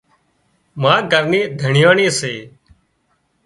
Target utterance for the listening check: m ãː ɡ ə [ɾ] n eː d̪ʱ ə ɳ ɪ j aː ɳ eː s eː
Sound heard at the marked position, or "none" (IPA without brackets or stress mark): ɾ